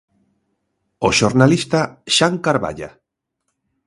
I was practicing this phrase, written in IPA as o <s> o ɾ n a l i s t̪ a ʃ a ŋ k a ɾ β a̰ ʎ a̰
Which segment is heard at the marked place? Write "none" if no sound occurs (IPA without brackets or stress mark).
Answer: ʃ